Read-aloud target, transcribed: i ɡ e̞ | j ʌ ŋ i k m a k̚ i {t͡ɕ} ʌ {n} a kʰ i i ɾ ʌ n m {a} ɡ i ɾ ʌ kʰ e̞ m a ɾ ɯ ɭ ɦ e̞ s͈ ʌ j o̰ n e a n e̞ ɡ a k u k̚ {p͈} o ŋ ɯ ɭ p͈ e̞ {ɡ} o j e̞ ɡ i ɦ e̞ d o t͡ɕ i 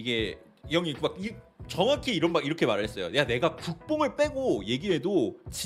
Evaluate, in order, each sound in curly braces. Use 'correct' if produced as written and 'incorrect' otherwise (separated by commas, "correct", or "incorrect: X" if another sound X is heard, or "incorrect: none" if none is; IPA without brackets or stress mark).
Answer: correct, incorrect: ŋ, correct, correct, correct